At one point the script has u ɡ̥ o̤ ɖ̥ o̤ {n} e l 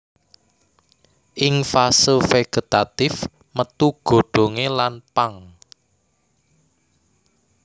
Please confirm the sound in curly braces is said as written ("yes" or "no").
no